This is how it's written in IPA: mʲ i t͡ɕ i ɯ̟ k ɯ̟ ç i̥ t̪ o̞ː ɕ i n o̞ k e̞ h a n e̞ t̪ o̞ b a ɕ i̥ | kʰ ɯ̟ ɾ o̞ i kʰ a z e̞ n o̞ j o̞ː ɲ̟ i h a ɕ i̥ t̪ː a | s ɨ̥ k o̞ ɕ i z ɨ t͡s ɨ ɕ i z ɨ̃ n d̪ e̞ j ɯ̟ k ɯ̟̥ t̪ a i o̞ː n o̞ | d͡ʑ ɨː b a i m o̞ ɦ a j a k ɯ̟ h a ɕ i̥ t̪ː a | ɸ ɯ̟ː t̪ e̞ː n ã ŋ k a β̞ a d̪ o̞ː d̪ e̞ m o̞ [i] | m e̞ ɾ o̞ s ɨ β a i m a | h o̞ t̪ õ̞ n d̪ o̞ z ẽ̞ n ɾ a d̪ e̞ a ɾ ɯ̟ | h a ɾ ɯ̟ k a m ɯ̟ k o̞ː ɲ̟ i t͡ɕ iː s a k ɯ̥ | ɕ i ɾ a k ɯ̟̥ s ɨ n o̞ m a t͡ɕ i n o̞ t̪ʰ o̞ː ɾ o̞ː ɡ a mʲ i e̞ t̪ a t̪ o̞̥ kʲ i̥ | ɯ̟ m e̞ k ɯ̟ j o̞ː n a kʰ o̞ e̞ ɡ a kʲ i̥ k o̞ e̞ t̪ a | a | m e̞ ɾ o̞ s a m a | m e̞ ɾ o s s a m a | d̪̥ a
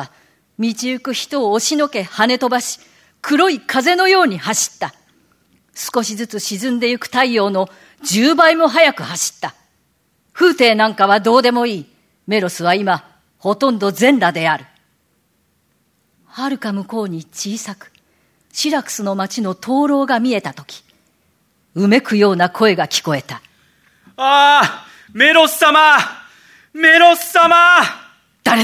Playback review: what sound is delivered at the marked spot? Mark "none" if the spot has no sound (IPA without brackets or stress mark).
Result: iː